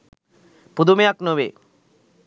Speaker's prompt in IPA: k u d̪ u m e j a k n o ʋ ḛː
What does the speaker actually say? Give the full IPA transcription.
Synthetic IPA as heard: p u d̪ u m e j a k n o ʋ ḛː